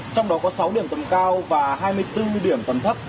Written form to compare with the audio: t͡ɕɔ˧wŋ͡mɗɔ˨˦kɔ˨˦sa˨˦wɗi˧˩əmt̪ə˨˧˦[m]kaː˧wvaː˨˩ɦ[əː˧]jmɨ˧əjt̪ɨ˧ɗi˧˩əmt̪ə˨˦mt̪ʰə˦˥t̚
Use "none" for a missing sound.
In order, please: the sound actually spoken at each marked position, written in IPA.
m, aː˧

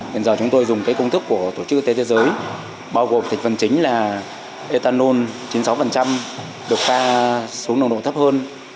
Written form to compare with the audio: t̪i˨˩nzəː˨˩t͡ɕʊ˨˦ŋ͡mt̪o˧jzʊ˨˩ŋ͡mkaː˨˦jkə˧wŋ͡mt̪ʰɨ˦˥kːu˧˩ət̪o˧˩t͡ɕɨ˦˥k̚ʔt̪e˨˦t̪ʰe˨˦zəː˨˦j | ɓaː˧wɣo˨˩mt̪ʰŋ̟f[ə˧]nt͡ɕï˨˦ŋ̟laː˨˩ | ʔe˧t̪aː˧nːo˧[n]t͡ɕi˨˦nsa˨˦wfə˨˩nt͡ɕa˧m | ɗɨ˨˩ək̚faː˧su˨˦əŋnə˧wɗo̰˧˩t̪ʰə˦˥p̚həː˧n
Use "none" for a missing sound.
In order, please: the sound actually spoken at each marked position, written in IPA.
ə˨˩, n

